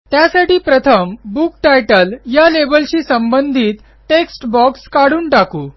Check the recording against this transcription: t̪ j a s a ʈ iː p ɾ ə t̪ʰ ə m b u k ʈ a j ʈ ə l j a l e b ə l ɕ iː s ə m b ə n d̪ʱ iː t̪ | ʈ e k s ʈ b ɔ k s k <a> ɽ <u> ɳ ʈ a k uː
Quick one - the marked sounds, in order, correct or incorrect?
correct, incorrect: uː

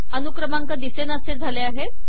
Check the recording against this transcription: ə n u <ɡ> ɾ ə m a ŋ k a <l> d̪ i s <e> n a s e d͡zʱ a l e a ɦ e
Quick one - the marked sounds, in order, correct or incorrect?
incorrect: k, incorrect: none, correct

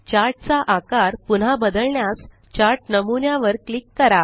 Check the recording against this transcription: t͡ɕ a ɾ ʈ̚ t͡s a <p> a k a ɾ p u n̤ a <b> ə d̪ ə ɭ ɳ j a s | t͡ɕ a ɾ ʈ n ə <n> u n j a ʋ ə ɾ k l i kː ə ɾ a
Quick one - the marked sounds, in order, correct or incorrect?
incorrect: ʔ, correct, incorrect: m

